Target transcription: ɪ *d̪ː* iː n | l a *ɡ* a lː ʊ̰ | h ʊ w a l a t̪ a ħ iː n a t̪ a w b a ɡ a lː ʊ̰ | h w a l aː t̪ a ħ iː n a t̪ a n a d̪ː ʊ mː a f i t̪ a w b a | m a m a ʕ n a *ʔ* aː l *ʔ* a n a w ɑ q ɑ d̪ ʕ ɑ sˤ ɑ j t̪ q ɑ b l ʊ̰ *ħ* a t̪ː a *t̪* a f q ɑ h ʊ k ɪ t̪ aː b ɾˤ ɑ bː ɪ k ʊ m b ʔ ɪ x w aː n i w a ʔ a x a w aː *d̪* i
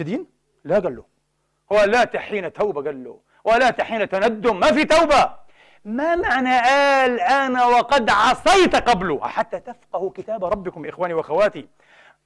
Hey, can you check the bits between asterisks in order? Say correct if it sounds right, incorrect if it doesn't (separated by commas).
incorrect, correct, correct, correct, correct, correct, incorrect